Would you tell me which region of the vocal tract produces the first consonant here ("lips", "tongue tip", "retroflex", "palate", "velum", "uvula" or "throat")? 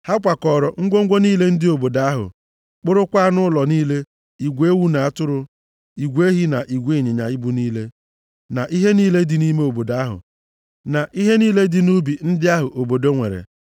throat